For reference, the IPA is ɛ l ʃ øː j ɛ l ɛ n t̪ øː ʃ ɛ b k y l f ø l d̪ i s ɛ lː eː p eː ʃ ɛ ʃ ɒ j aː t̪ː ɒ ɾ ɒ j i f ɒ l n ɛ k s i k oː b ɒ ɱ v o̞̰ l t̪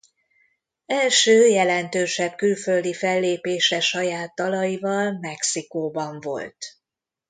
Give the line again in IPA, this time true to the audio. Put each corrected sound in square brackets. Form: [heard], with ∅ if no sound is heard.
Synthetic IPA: ɛ l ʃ øː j ɛ l ɛ n t̪ øː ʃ ɛ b k y l f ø l d̪ i [f] ɛ lː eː p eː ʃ ɛ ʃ ɒ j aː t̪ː ɒ [l] ɒ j i [v] ɒ l [m] ɛ k s i k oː b ɒ ɱ v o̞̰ l t̪

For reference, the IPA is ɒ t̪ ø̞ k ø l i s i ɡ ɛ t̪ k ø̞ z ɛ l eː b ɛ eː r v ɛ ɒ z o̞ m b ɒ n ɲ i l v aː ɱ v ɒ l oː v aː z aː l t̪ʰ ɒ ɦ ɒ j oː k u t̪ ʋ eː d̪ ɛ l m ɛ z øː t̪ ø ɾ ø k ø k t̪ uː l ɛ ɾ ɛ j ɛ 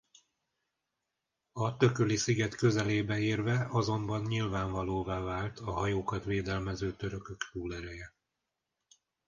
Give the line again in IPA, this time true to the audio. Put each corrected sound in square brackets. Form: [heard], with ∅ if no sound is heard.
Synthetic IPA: ɒ t̪ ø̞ k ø l i s i ɡ ɛ t̪ k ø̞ z ɛ l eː b ɛ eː r v ɛ ɒ z o̞ m b ɒ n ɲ i l v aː ɱ v ɒ l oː v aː [v] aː l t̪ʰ ɒ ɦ ɒ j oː k [ɒ] t̪ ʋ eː d̪ ɛ l m ɛ z øː t̪ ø ɾ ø k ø k t̪ uː l ɛ ɾ ɛ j ɛ

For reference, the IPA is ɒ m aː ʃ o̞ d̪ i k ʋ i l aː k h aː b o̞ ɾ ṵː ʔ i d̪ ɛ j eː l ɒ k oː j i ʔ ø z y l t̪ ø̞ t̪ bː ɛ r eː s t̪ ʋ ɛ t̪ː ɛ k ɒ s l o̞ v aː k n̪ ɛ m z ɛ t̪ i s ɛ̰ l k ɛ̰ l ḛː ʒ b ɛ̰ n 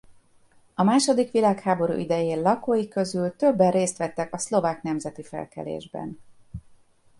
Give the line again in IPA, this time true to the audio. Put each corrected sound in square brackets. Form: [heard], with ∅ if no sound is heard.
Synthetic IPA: ɒ m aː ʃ o̞ d̪ i k ʋ i l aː k h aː b o̞ ɾ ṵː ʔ i d̪ ɛ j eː l ɒ k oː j i [k] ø z y l t̪ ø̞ [∅] bː ɛ r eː s t̪ ʋ ɛ t̪ː ɛ k ɒ s l o̞ v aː k n̪ ɛ m z ɛ t̪ i [f] ɛ̰ l k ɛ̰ l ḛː ʒ b ɛ̰ n

